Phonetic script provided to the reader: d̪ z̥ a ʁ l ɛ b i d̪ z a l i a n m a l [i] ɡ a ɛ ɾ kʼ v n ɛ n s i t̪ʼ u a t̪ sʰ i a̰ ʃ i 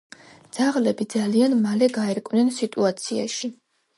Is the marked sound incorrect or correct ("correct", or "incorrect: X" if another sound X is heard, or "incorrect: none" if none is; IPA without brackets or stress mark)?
incorrect: ɛ